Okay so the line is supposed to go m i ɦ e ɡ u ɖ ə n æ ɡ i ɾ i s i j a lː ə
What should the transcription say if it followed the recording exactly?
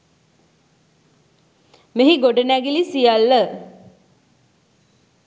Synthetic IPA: m e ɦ i ɡ o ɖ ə n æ ɡ i l i s i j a lː ə